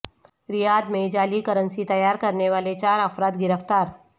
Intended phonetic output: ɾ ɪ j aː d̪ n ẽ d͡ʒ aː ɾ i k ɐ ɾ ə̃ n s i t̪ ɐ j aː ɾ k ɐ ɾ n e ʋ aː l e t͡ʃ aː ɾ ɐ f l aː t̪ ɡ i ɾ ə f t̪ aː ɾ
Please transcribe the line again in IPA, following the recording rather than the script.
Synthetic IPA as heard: ɾ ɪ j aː d̪ m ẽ d͡ʒ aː l i k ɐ ɾ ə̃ n s i t̪ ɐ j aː ɾ k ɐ ɾ n e ʋ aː l e t͡ʃ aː ɾ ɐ f ɾ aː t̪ ɡ ɪ ɾ ə f t̪ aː ɾ